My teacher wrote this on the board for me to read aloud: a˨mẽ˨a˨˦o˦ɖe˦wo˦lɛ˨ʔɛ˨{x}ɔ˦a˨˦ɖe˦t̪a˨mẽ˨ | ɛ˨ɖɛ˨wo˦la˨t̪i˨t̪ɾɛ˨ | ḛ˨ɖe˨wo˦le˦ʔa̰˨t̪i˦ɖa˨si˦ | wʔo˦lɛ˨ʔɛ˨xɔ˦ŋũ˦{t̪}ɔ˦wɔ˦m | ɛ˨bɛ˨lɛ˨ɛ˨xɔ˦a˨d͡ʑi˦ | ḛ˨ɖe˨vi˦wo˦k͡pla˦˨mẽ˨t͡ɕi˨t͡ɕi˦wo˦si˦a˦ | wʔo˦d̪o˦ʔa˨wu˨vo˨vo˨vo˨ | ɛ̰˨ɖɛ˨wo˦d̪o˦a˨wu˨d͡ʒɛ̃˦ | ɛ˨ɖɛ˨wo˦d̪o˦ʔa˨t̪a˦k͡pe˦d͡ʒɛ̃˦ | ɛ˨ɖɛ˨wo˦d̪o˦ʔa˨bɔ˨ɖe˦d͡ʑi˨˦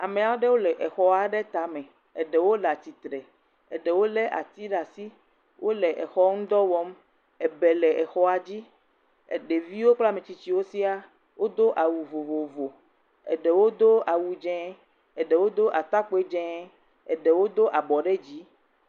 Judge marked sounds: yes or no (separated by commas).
yes, no